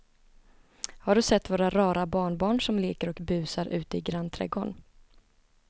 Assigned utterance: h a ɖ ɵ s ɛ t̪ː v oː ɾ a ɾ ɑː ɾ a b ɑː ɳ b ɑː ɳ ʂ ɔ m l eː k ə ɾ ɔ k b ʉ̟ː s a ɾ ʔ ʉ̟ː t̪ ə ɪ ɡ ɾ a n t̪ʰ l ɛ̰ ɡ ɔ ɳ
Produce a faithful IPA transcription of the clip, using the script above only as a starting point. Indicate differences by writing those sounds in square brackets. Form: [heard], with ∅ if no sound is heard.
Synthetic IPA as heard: h a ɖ ɵ s ɛ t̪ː v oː ɾ a ɾ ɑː ɾ a b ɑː ɳ b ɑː ɳ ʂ ɔ m l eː k ə ɾ ɔ k b ʉ̟ː s a ɾ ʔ ʉ̟ː t̪ ə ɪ ɡ ɾ a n t̪ʰ [ɾ] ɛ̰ ɡ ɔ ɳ